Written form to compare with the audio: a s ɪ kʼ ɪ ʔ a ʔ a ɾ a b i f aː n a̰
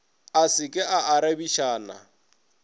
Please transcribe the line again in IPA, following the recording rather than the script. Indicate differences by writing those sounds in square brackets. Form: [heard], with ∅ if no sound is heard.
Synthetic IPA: a s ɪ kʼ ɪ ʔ a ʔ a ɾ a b i [ʃ] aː n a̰